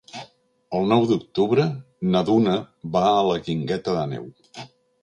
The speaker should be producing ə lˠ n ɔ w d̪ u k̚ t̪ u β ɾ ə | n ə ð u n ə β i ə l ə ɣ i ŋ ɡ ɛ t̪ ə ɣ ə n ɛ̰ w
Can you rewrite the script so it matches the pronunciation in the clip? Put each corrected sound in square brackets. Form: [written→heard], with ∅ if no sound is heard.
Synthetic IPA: ə lˠ n ɔ w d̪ u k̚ t̪ u β ɾ ə | n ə ð u n ə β [i→a] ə l ə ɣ i ŋ ɡ ɛ t̪ ə [ɣ→ð] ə n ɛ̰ w